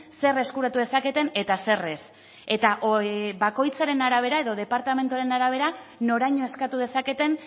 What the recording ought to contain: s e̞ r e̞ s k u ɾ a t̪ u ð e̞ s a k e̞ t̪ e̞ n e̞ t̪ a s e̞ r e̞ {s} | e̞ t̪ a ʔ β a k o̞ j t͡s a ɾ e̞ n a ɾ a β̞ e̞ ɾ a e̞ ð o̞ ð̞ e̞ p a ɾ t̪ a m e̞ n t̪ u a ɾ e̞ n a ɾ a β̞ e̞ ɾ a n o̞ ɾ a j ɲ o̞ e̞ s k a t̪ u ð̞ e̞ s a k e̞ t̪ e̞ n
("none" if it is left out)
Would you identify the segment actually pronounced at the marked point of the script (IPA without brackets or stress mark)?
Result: s